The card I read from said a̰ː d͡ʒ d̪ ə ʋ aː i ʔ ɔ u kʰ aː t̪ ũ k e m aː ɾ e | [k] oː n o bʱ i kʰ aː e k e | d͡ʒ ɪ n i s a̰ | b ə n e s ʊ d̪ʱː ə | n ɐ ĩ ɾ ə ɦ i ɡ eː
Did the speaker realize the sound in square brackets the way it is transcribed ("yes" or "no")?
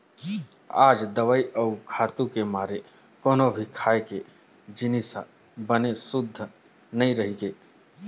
yes